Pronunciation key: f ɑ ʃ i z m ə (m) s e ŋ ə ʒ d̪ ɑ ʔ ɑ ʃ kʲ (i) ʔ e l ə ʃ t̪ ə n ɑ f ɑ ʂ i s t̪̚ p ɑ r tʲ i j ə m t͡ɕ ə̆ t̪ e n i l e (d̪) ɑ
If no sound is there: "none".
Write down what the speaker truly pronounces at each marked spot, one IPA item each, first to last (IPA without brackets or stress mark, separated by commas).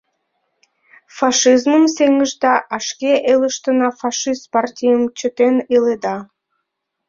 m, e, d̪